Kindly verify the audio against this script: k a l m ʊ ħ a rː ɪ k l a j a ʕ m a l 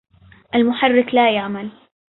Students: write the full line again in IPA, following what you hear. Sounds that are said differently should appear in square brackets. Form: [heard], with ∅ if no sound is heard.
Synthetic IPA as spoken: [ʔ] a l m ʊ ħ a rː ɪ k l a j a ʕ m a l